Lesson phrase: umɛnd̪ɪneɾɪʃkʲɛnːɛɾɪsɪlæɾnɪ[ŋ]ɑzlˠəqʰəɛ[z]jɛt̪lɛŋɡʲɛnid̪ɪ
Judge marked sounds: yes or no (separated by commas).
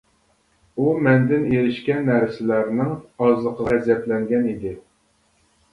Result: yes, yes